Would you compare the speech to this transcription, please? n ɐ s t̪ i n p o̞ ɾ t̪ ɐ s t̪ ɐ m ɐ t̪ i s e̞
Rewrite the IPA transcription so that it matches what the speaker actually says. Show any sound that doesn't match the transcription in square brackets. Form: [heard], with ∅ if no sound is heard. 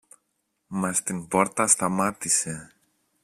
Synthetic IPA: [m] ɐ s t̪ i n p o̞ ɾ t̪ ɐ s t̪ ɐ m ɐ t̪ i s e̞